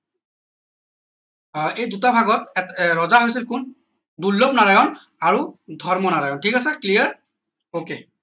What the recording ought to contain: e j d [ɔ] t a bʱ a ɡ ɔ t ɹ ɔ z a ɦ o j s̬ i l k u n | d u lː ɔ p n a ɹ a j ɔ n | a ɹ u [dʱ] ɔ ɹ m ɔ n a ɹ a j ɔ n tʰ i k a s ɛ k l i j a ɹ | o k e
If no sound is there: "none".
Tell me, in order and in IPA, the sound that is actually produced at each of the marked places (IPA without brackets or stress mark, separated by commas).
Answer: u, dʱ